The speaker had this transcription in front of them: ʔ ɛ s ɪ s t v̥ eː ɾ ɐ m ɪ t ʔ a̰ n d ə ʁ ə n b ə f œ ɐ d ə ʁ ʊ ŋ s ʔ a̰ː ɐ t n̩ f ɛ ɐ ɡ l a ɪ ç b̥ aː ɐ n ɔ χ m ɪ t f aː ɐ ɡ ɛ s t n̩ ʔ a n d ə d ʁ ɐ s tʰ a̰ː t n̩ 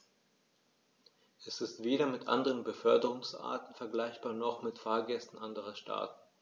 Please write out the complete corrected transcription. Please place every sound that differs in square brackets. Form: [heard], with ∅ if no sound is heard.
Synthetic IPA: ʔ ɛ s ɪ s t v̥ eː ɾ ɐ m ɪ t ʔ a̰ n d ə ʁ ə n b ə f œ ɐ d ə ʁ ʊ ŋ s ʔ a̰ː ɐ t n̩ f ɛ ɐ ɡ l a ɪ ç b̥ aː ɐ n ɔ χ m ɪ t f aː ɐ ɡ ɛ s t n̩ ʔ a n d ə [∅] ʁ ɐ [ʃ] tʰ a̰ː t n̩